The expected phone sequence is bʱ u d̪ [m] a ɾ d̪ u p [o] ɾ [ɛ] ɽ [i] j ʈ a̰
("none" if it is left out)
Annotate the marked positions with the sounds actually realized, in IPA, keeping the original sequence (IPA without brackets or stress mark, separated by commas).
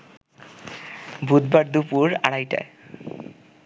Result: b, u, a, a